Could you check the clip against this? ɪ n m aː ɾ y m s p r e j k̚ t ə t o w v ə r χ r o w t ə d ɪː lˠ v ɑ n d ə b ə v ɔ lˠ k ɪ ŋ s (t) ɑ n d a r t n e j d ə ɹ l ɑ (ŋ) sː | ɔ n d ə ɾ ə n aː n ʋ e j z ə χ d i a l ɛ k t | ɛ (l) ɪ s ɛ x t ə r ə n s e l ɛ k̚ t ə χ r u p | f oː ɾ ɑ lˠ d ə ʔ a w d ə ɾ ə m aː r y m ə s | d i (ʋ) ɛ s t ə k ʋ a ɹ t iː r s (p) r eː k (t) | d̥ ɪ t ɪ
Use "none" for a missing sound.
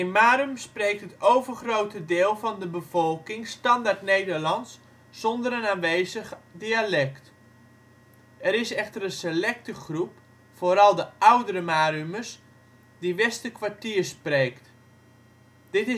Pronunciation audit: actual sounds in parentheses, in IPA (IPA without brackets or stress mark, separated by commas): t, n, ɾ, ʋ, p, t